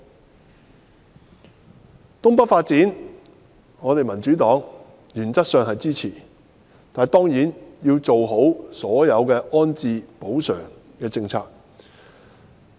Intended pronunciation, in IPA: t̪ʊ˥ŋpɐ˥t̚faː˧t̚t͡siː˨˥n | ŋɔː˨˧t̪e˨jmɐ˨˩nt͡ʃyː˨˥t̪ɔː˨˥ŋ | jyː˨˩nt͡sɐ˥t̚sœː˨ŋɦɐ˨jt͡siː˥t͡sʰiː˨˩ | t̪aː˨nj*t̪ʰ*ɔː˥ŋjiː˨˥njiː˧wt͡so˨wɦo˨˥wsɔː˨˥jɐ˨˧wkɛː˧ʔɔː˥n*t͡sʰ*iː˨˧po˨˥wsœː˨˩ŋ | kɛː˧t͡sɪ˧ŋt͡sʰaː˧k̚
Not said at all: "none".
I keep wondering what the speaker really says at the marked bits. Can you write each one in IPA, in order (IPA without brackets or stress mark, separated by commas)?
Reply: t̪, t͡s